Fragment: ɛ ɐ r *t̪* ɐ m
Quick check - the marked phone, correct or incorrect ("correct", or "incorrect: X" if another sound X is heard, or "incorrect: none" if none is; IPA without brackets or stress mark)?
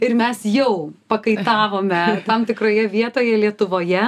correct